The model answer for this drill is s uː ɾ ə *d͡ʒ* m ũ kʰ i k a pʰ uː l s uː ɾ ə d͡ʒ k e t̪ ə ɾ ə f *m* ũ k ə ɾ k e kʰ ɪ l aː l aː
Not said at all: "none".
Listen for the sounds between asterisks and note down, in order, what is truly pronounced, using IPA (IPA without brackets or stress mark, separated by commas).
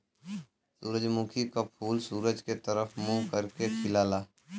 d͡ʒ, m